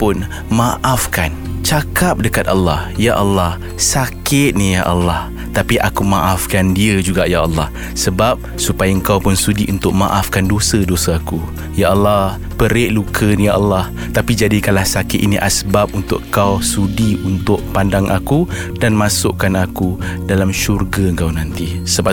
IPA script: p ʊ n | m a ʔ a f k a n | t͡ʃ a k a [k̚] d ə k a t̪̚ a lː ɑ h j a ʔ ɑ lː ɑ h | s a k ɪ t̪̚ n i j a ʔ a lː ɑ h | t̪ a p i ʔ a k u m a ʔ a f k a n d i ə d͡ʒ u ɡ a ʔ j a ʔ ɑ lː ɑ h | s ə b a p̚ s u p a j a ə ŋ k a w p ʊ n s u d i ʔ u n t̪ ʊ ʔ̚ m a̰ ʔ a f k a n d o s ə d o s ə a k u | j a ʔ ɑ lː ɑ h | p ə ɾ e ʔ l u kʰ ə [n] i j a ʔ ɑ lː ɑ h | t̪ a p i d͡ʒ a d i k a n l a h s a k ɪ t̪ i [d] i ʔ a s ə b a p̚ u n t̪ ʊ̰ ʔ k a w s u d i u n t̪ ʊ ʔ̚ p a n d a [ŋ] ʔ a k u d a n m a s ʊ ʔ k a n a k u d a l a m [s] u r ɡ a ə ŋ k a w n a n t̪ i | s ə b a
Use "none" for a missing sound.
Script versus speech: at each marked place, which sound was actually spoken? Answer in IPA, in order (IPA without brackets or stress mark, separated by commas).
p̚, n, n, ŋ, ʃ